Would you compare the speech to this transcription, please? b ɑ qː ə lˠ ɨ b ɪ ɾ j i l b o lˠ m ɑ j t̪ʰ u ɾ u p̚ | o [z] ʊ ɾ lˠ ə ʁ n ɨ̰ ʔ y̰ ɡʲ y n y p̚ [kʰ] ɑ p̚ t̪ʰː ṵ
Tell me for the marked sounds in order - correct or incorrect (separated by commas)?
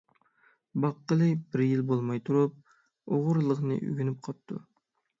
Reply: incorrect, incorrect